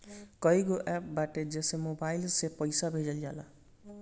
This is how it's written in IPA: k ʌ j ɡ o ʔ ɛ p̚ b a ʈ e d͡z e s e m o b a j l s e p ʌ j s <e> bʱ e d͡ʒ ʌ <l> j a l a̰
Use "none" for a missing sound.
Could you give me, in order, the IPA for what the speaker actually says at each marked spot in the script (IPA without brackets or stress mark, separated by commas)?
a, l